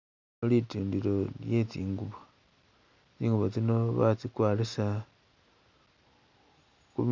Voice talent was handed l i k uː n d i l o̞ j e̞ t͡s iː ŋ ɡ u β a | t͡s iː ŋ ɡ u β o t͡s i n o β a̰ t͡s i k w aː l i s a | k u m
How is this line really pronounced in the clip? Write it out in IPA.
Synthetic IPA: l i t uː n d i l o̞ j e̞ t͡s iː ŋ ɡ u β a | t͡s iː ŋ ɡ u β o t͡s i n o β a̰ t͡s i k w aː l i s a | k u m